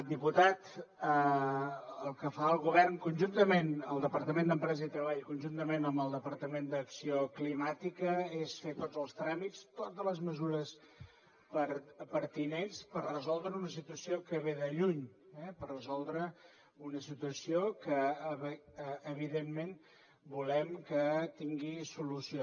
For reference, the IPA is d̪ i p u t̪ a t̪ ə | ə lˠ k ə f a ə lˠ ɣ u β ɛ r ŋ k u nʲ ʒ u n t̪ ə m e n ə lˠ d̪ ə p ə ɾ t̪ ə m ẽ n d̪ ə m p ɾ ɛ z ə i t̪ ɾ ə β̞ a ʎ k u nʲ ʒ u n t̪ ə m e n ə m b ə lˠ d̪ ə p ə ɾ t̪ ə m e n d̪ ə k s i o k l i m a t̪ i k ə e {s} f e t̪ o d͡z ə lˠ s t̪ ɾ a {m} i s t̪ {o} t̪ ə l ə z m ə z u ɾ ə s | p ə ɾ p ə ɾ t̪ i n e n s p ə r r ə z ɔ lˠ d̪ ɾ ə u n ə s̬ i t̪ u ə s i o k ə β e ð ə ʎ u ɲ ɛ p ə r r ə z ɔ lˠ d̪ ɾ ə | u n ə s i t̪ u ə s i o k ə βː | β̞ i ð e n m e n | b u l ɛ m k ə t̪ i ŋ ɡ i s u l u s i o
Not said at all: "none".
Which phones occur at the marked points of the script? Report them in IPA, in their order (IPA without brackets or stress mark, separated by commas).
s, m, o